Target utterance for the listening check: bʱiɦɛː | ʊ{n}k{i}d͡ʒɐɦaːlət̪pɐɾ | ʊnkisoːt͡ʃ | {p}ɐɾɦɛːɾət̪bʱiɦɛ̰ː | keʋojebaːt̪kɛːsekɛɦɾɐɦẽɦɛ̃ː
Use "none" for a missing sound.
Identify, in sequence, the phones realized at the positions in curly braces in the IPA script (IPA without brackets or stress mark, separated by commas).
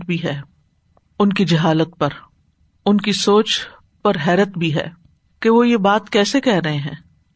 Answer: n, i, p